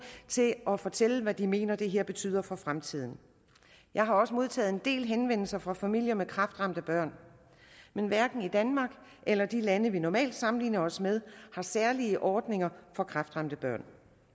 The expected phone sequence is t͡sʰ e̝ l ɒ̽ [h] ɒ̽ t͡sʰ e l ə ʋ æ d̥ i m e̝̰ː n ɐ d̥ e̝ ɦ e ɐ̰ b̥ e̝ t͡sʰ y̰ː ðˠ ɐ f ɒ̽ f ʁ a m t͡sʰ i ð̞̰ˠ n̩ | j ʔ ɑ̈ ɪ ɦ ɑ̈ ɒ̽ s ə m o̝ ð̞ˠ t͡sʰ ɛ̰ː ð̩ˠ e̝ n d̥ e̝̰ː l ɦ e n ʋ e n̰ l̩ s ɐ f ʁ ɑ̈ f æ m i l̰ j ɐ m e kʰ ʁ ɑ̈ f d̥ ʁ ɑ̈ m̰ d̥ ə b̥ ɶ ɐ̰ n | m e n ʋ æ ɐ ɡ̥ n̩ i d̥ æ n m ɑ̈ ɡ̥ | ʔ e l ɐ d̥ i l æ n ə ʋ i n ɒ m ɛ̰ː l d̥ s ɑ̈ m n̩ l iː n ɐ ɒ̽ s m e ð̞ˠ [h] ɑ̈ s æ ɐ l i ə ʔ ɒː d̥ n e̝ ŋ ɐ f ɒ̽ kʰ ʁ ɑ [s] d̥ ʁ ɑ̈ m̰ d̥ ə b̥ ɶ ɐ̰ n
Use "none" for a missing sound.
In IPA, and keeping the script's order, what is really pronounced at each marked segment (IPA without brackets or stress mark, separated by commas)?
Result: f, h, f